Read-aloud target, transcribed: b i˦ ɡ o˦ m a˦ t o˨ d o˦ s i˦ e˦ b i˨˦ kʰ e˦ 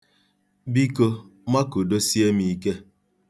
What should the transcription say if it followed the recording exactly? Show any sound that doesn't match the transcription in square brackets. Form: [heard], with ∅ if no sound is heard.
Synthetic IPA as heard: b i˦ [k] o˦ m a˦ [k] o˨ d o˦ s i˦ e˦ [m] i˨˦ [k] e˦